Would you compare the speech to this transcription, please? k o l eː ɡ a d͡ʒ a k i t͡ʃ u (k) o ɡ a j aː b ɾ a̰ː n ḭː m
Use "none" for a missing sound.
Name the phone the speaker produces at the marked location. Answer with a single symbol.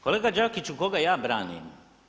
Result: k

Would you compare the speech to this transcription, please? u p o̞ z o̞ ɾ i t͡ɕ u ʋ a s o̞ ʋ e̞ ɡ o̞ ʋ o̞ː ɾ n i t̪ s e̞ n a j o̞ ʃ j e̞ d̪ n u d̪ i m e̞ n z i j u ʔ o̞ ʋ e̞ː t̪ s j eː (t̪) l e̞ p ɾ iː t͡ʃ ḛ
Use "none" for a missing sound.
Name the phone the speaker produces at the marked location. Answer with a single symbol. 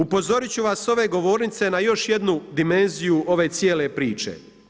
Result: none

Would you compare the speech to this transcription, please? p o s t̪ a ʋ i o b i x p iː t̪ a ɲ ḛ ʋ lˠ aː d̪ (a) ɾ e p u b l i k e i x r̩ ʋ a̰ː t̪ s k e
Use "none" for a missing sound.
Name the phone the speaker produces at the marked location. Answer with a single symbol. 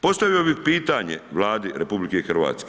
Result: i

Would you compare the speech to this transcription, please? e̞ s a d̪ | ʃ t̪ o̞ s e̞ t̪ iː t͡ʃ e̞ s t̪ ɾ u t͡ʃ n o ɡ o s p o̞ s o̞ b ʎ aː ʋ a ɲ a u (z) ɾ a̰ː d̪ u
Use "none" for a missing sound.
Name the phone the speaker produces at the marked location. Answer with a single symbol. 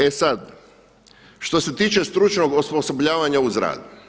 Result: z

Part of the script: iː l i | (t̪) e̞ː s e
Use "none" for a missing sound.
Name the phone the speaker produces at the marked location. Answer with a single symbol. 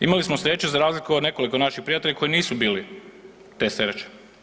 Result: t̪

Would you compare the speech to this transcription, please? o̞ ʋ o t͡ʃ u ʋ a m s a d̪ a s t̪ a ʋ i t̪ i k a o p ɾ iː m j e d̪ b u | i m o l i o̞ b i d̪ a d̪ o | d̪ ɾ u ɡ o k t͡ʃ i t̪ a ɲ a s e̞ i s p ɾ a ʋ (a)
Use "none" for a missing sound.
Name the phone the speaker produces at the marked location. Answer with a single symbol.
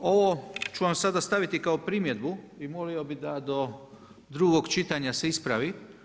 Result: i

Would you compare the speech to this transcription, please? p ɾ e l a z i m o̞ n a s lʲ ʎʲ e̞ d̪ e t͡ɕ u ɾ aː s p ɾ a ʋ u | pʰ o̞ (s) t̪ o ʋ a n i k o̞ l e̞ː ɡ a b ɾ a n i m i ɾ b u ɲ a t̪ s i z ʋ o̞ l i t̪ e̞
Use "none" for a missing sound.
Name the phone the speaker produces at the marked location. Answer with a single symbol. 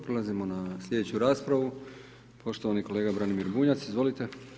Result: ʃ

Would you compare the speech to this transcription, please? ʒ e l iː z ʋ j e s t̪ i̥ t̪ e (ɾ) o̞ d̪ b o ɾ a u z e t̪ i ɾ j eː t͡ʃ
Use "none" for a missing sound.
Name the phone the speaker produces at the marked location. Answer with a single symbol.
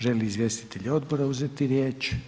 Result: ʎ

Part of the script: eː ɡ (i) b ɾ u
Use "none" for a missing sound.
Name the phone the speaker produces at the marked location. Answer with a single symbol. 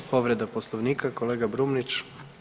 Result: a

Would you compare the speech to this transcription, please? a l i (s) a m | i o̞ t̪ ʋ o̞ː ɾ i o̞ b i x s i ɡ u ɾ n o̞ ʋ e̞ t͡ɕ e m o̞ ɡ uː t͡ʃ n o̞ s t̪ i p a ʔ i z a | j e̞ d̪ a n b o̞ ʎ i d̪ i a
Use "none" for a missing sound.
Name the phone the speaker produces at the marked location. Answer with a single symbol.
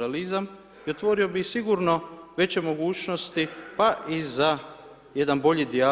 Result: z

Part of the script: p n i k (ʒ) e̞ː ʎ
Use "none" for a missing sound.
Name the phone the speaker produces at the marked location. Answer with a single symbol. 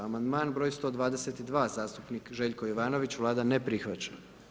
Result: ʒ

